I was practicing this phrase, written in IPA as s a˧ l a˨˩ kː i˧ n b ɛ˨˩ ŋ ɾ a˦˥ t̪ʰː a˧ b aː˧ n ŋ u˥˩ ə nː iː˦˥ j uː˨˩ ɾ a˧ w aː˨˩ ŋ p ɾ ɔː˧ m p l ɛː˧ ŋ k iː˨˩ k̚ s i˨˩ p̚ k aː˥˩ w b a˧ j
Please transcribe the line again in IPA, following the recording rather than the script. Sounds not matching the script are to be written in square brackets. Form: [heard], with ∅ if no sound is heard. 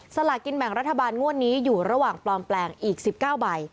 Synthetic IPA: s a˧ l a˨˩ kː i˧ n b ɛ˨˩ ŋ ɾ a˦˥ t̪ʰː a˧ b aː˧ n ŋ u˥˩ ə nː iː˦˥ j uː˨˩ ɾ a˧ w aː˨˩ ŋ p [l] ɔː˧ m p l ɛː˧ ŋ [ʔ] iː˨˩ k̚ s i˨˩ p̚ k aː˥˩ w b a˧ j